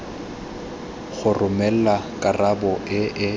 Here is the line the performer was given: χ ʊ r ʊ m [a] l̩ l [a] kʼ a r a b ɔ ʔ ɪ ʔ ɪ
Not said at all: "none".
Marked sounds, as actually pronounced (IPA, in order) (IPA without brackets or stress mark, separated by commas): ɛ, a